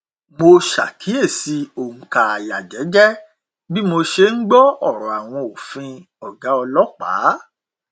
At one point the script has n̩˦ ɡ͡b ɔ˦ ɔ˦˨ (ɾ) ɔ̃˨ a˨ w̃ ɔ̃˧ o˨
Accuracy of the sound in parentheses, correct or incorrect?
correct